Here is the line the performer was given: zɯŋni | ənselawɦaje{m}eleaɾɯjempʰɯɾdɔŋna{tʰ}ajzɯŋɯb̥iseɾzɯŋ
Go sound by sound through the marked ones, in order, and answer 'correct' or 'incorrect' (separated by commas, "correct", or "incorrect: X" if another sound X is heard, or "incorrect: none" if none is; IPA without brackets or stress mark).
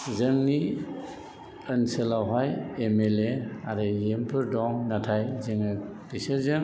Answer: correct, correct